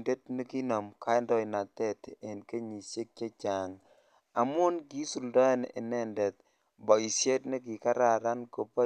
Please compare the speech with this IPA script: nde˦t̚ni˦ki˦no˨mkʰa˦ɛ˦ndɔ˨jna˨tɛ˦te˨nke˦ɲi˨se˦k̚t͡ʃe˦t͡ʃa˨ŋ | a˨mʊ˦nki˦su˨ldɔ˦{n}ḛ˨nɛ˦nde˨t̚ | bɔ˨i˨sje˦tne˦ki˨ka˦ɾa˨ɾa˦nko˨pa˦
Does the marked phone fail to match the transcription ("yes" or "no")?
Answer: no